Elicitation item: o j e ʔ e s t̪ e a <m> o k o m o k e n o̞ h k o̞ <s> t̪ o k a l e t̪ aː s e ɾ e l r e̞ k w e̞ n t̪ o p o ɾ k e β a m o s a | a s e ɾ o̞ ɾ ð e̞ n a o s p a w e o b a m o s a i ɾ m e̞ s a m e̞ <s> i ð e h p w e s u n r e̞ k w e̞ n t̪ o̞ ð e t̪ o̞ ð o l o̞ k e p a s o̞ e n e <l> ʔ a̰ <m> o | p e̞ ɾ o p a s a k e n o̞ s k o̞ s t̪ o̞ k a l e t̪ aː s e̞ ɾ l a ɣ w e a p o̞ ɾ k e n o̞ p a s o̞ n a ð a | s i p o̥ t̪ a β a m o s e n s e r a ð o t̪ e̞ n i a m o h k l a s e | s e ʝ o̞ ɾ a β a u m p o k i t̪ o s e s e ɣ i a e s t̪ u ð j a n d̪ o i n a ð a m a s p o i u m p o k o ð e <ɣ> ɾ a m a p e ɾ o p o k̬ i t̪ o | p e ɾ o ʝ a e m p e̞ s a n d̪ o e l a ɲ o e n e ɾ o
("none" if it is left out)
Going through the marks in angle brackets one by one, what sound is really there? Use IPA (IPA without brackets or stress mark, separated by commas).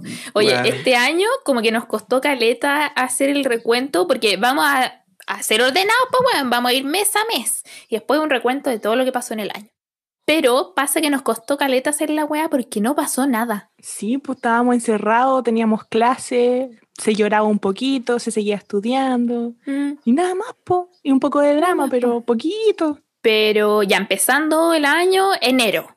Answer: ɲ, s, s, l, ɲ, ð